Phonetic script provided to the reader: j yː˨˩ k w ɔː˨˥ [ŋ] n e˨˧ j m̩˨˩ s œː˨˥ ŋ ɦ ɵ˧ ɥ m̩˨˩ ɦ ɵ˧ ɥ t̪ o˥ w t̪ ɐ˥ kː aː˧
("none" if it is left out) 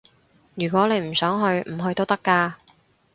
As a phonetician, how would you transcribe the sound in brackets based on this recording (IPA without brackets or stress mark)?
none